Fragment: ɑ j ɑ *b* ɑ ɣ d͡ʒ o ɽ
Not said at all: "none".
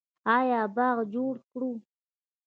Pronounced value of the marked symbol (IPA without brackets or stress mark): b